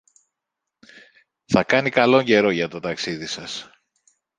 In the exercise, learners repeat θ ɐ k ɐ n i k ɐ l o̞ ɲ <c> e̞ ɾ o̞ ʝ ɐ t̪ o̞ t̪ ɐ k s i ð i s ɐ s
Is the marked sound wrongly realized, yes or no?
yes